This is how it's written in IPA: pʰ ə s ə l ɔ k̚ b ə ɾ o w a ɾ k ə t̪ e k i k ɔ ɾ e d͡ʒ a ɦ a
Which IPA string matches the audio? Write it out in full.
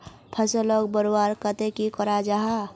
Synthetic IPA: pʰ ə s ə l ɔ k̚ b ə ɾ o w a ɾ k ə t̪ e k i k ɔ ɾ a d͡ʒ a ɦ a